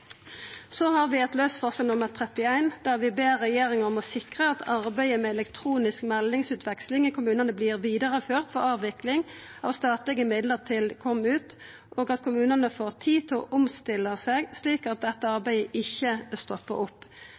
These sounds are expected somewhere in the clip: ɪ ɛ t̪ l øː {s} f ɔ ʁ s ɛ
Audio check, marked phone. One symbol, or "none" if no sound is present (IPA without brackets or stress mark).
s